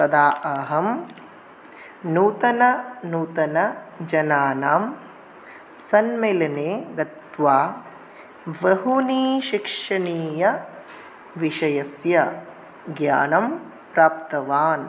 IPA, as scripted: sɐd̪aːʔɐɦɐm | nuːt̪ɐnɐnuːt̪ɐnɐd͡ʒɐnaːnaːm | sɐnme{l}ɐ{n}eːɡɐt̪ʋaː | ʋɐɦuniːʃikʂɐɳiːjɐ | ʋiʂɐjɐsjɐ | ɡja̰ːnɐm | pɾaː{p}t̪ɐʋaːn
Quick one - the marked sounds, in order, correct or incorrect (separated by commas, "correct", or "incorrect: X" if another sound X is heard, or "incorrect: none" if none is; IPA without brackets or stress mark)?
correct, correct, correct